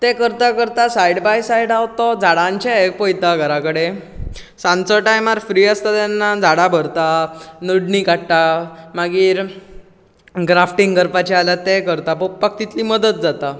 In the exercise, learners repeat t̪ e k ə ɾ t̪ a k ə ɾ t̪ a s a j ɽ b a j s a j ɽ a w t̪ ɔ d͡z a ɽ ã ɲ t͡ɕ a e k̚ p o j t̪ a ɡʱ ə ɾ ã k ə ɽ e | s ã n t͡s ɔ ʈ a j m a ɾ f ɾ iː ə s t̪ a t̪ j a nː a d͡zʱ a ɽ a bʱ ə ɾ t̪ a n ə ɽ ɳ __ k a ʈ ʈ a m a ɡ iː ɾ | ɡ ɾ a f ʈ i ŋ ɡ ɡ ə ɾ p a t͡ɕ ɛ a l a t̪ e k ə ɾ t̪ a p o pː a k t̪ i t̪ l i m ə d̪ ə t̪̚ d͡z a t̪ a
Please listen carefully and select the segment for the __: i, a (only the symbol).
i